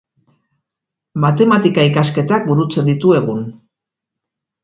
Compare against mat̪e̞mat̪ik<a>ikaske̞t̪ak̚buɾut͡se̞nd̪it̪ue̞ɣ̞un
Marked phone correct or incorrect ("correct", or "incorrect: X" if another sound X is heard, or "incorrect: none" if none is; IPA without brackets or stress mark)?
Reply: correct